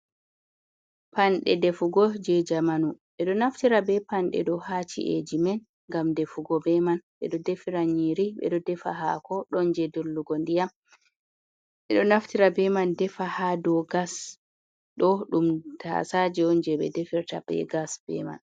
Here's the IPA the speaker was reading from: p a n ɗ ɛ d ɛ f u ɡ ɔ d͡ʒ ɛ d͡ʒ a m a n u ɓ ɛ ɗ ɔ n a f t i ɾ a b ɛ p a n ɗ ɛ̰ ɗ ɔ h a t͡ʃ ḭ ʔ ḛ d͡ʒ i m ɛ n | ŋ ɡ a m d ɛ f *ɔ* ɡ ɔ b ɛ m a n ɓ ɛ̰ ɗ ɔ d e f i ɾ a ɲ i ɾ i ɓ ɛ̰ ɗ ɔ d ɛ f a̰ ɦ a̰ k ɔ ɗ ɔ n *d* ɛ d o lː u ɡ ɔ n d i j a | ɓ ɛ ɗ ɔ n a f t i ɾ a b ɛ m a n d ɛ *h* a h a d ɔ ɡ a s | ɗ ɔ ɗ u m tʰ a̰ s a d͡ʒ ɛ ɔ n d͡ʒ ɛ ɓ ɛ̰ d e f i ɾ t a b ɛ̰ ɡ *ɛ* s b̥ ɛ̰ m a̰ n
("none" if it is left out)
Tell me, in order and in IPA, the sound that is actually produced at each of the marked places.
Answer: u, d͡ʒ, f, a

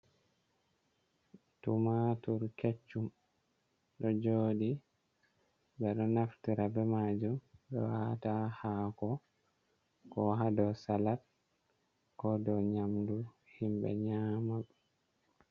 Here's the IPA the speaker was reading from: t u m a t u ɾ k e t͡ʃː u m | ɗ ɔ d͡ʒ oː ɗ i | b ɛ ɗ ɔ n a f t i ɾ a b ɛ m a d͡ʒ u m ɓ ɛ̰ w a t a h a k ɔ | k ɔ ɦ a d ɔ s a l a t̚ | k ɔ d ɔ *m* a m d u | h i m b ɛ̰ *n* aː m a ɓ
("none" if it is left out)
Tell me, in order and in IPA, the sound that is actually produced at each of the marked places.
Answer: ɲ, ɲ

